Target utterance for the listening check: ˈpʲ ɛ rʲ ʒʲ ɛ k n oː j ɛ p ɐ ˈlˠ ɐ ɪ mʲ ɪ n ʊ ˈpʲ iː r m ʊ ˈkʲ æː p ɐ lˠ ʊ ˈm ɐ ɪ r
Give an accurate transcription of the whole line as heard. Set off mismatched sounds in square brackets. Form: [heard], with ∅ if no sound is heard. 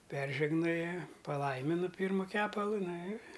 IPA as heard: ˈpʲ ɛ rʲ ʒʲ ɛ [ɡ] n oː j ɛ p ɐ ˈlˠ ɐ ɪ mʲ ɪ n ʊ ˈpʲ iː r m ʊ ˈkʲ æː p ɐ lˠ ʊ [ˈn] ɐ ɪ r